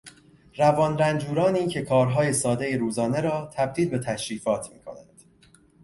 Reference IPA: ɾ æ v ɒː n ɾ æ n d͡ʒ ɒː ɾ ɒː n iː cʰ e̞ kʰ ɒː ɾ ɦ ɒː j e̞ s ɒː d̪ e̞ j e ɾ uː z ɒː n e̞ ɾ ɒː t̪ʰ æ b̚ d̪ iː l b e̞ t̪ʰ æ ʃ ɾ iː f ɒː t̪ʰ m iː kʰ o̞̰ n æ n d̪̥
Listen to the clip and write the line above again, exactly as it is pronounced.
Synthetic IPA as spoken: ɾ æ v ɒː n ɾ æ n d͡ʒ uː ɾ ɒː n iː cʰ e̞ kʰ ɒː ɾ ɦ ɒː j e̞ s ɒː d̪ e̞ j e ɾ uː z ɒː n e̞ ɾ ɒː t̪ʰ æ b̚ d̪ iː l b e̞ t̪ʰ æ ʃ ɾ iː f ɒː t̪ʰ m iː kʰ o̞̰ n æ n d̪̥